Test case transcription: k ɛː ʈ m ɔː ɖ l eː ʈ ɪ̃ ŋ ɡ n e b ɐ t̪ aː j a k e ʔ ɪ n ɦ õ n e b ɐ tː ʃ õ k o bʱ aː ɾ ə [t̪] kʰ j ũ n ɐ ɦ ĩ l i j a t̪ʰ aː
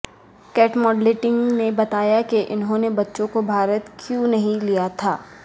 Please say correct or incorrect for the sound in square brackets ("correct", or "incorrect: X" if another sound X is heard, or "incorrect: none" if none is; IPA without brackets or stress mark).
correct